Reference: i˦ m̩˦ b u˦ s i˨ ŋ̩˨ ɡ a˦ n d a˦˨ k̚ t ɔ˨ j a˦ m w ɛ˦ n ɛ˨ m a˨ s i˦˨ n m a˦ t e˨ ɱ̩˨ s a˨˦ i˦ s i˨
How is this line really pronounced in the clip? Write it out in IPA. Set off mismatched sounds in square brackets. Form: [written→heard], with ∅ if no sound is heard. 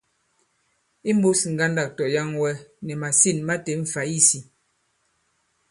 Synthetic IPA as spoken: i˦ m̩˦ b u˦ s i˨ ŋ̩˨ ɡ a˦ n d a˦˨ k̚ t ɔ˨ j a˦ [m→ŋ] w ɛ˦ n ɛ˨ m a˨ s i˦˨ n m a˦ t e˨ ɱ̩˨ [s→f] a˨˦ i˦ s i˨